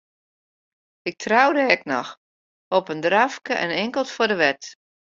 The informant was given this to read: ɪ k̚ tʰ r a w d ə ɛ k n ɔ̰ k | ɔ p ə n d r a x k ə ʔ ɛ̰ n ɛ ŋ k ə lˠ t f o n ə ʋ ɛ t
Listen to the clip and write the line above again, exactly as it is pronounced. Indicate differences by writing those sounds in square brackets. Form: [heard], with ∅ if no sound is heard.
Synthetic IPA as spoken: ɪ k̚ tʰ r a w d ə ɛ k n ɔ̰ [x] | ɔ p ə n d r a [f] k ə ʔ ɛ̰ n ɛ ŋ k ə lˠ t f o [d] ə ʋ ɛ t